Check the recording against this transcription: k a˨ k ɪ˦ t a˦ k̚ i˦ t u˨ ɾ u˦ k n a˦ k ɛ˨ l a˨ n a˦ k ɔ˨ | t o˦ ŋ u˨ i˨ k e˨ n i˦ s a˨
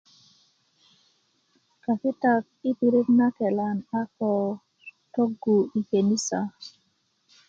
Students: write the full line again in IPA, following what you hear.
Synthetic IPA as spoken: k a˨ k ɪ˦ t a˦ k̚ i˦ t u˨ ɾ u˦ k n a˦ k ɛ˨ l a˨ n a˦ k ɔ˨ | t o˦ ɡ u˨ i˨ k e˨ n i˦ s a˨